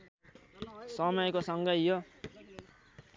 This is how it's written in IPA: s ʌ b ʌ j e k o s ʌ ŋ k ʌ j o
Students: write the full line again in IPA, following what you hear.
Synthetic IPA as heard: s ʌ m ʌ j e k o s ʌ ŋ ɡ ʌ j o